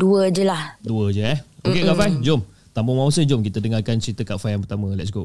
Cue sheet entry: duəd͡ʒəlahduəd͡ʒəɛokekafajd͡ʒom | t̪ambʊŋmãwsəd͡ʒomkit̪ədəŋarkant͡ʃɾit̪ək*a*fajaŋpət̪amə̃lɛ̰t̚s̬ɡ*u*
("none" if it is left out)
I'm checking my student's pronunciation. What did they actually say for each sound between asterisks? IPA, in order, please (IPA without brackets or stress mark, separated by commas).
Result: a, o